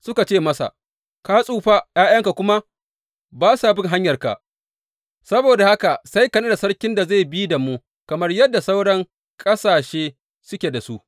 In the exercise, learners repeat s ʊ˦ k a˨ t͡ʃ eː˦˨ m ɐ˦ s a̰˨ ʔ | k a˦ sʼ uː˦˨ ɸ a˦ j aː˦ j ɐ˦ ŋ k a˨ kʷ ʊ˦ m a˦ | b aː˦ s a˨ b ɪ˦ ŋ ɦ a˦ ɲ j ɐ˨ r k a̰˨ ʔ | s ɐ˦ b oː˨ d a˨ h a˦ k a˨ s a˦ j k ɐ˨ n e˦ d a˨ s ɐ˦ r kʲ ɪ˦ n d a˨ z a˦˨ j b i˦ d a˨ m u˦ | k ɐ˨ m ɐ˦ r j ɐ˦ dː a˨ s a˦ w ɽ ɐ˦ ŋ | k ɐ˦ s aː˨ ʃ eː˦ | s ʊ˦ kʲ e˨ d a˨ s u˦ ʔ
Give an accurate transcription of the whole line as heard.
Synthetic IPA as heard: s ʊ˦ k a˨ t͡ʃ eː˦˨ m ɐ˦ s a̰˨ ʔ | k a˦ sʼ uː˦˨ ɸ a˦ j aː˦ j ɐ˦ ŋ k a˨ kʷ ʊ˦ m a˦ | b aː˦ s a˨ b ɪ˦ ŋ ɦ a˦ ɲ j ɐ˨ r k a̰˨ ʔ | s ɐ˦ b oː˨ d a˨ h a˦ k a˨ s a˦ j k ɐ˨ n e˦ d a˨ s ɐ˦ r kʲ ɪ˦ n d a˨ z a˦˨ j b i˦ d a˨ m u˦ | k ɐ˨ m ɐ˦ r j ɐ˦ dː a˨ s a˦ w ɽ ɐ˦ ŋ | kʼ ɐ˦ s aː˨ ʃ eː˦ | s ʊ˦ kʲ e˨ d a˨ s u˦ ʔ

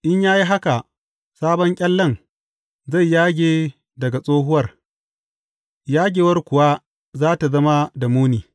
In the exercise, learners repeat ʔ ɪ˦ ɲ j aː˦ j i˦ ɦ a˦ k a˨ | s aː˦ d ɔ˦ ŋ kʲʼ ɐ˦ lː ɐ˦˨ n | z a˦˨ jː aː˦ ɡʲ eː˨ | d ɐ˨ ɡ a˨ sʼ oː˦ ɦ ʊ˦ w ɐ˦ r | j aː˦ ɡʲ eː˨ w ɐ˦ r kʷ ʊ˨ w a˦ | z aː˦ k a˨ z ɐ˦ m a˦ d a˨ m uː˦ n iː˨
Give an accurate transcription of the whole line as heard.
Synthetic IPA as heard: ʔ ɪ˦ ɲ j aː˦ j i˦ ɦ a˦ k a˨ | s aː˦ b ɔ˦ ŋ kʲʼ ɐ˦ lː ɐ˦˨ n | z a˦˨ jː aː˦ ɡʲ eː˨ | d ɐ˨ ɡ a˨ sʼ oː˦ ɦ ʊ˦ w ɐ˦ r | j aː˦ ɡʲ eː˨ w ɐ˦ r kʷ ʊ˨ w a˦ | z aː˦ t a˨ z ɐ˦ m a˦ d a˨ m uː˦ n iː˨

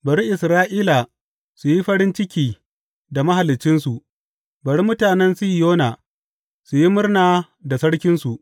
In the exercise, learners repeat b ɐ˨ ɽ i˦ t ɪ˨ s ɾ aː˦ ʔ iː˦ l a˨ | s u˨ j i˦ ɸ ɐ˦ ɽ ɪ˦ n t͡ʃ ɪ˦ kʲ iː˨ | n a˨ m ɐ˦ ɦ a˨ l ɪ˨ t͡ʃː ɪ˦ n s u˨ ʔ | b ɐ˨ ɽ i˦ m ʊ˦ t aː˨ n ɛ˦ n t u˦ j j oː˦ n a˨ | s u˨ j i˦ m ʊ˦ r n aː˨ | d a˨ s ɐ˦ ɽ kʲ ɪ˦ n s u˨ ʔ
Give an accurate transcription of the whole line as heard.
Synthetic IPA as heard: b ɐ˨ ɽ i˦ ʔ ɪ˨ s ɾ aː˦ ʔ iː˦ l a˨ | s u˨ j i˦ ɸ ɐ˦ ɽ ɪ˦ n t͡ʃ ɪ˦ kʲ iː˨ | d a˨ m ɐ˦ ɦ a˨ l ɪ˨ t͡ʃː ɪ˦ n s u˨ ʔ | b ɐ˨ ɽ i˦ m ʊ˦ t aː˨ n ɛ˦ n s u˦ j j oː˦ n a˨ | s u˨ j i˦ m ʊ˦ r n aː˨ | d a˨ s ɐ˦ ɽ kʲ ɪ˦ n s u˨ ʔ

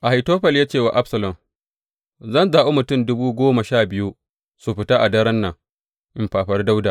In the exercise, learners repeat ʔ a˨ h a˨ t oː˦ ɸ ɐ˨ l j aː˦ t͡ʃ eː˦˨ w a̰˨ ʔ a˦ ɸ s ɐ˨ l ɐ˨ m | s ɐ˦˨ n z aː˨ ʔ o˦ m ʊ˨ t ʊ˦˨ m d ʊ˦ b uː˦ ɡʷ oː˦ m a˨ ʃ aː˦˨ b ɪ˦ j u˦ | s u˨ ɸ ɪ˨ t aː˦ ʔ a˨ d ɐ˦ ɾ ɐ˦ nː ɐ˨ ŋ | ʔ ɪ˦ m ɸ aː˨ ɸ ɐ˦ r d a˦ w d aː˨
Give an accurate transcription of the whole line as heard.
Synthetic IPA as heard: ʔ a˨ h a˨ t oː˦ ɸ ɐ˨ l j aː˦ t͡ʃ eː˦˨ w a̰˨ ʔ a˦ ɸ s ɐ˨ l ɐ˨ m | z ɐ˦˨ n z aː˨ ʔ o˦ m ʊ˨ t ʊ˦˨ m d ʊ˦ b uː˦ ɡʷ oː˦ m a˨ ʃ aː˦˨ b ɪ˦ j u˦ | s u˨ ɸ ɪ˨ t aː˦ ʔ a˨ d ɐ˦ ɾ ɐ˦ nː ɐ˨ ŋ | ʔ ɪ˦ m ɸ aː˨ ɸ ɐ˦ r d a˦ w d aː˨

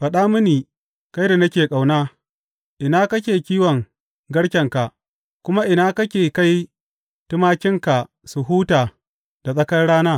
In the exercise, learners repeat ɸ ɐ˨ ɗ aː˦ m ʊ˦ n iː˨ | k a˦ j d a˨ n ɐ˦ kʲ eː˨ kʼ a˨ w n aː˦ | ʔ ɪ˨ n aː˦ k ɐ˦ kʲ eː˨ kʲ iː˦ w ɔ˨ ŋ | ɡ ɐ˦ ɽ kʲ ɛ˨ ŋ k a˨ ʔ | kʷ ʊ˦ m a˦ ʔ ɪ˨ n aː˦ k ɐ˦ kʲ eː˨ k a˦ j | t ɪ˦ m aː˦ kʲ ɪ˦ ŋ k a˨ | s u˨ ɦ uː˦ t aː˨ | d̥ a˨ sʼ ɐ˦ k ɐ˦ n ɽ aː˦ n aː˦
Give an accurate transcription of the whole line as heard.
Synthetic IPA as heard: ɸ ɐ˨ ɗ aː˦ m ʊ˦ n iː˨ | k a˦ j d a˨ n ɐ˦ kʲ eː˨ kʼ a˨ w n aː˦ | ʔ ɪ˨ n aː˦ k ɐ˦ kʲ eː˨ kʲ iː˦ w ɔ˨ ŋ | ɡ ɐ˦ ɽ kʲ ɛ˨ ŋ k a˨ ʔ | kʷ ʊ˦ m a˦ ʔ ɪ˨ n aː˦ k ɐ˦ kʲ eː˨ k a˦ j | t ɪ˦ m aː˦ kʲ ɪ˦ ŋ k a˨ | s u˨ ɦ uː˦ t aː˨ | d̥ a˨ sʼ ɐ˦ k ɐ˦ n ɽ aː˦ n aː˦

